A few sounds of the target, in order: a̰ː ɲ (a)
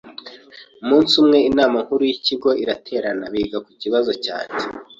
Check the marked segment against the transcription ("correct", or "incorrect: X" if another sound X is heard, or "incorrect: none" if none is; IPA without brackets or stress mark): incorrect: e